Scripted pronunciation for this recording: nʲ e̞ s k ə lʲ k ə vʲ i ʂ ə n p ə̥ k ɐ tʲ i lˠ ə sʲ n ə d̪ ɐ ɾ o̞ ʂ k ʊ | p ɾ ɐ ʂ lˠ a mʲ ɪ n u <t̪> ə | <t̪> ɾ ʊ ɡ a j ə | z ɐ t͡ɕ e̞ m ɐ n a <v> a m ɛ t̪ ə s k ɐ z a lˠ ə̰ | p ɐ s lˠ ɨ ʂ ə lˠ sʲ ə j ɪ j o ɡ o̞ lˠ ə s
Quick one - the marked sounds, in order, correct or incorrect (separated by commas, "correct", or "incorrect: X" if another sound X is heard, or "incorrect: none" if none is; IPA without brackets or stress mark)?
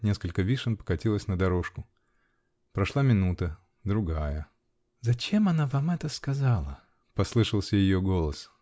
correct, incorrect: d̪, correct